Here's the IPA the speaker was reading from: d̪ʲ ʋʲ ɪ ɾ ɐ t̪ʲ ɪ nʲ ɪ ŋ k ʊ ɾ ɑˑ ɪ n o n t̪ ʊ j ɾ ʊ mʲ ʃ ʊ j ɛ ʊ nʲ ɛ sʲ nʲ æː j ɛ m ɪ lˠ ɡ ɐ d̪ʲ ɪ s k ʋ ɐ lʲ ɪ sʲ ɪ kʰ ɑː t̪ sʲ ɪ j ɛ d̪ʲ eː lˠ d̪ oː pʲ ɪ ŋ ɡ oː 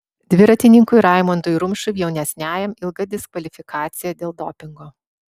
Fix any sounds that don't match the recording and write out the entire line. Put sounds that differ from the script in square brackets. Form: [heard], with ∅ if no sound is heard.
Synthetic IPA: d̪ʲ ʋʲ ɪ ɾ ɐ t̪ʲ ɪ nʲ ɪ ŋ k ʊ ɾ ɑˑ ɪ [m] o n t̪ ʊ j ɾ ʊ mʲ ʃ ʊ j ɛ ʊ nʲ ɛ sʲ nʲ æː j ɛ m ɪ lˠ ɡ ɐ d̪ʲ ɪ s k ʋ ɐ lʲ ɪ [fʲ] ɪ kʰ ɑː t̪ sʲ ɪ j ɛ d̪ʲ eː lˠ d̪ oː pʲ ɪ ŋ ɡ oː